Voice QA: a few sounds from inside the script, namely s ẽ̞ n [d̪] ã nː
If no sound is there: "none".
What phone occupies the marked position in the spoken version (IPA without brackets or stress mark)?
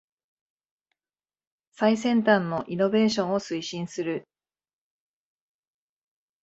t̪